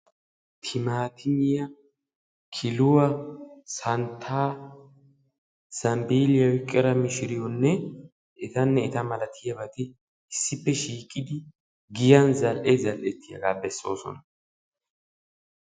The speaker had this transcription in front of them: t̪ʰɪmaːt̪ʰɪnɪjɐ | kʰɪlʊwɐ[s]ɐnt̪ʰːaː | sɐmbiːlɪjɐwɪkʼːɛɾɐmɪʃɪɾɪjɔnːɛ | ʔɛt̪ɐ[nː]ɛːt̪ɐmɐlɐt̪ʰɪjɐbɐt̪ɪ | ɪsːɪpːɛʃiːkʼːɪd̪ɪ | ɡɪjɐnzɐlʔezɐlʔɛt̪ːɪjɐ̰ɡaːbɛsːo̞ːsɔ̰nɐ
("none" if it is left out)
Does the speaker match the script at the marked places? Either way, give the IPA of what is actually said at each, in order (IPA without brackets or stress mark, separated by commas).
s, nː